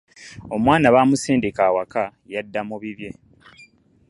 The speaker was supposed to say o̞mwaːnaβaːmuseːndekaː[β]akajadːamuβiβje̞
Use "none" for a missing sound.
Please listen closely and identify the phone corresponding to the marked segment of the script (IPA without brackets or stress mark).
w